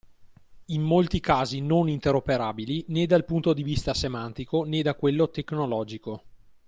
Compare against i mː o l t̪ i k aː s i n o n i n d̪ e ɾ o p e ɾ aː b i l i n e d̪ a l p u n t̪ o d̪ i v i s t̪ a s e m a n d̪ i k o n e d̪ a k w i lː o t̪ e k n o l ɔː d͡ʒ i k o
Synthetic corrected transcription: i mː o l t̪ i k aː z i n o n i n t̪ e ɾ o p e ɾ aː b i l i n e d̪ a l p u n t̪ o d̪ i v i s t̪ a s e m a n t̪ i k o n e d̪ a k w e lː o t̪ e k n o l ɔː d͡ʒ i k o